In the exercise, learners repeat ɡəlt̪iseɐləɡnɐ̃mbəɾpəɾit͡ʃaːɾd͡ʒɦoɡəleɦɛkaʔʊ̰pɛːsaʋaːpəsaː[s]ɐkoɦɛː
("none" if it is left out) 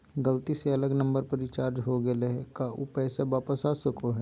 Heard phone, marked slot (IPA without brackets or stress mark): s